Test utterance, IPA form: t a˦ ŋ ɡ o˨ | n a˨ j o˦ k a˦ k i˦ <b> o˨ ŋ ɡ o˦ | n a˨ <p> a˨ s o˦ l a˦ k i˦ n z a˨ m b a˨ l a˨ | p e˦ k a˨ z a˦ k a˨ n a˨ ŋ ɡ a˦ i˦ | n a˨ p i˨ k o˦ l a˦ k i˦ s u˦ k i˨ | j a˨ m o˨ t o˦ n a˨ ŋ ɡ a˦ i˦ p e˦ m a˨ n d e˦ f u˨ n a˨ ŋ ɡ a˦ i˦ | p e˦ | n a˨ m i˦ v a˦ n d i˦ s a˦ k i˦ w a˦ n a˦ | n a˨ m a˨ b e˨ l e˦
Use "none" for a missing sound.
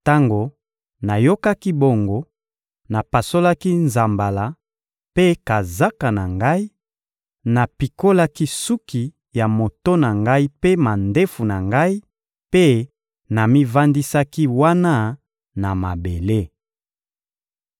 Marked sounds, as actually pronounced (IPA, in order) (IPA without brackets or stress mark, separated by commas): b, p